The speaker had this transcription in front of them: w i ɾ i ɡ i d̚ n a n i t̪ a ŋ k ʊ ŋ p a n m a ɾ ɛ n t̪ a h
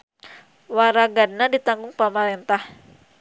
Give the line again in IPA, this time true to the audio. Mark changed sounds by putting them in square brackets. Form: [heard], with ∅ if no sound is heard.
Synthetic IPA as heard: w [a] ɾ [a] ɡ [a] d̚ n a [d] i t̪ a ŋ [ɡ] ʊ ŋ p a [∅] m a ɾ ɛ n t̪ a h